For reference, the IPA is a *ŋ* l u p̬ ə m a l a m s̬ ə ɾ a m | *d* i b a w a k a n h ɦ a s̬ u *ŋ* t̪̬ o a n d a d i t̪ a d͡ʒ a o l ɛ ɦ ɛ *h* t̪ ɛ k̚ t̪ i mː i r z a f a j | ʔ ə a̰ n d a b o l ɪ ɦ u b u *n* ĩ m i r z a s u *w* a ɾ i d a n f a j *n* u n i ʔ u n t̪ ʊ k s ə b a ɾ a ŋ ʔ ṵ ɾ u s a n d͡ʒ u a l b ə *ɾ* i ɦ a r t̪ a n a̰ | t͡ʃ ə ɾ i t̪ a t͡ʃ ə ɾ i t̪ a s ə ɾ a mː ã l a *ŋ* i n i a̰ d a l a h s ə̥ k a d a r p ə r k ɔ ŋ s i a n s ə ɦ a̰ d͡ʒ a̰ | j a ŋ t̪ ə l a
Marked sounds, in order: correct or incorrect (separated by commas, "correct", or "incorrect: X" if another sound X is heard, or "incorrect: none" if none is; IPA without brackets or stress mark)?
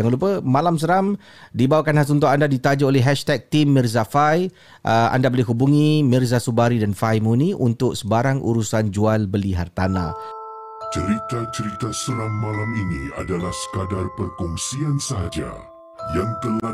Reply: correct, correct, incorrect: n, incorrect: ʃ, incorrect: ŋ, incorrect: b, incorrect: m, incorrect: l, incorrect: m